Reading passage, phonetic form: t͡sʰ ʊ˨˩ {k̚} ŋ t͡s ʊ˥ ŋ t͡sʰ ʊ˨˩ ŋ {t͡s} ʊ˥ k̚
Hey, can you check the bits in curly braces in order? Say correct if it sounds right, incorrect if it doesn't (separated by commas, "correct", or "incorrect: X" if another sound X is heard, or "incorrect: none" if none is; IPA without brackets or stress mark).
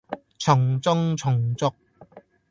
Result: incorrect: none, correct